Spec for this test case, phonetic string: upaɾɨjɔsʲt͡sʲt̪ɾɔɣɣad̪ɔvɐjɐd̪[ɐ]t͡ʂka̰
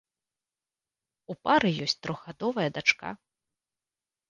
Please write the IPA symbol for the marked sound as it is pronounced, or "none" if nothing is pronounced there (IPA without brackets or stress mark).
a